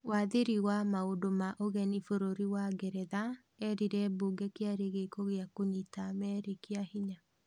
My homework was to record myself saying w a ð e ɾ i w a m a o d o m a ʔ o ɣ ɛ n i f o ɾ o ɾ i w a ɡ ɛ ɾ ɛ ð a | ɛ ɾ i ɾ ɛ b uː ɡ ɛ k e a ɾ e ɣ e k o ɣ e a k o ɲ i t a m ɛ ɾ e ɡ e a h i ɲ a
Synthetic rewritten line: w a ð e ɾ i w a m a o d o m a ʔ o ɣ ɛ n i f o ɾ o ɾ i w a ɡ ɛ ɾ ɛ ð a | ɛ ɾ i ɾ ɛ b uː ɡ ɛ k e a ɾ e ɣ e k o ɣ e a k o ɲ i t a m ɛ ɾ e k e a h i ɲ a